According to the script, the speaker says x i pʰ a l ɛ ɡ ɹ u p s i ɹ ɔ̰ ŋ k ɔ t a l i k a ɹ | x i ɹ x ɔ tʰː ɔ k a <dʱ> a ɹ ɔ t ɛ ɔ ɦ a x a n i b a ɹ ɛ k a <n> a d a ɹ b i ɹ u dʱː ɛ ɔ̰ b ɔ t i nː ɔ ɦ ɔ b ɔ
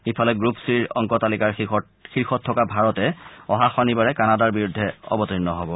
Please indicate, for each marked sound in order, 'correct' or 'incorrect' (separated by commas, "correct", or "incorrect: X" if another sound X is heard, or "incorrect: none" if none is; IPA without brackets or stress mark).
incorrect: bʱ, correct